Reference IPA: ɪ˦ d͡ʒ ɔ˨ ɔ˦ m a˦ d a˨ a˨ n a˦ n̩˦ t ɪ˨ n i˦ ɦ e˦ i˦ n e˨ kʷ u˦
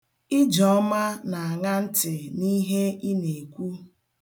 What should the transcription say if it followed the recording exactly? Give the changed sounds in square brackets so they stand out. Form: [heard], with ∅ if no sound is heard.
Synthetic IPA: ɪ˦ d͡ʒ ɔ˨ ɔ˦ m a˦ [n] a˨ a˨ [ŋ] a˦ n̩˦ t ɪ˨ n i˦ ɦ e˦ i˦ n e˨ kʷ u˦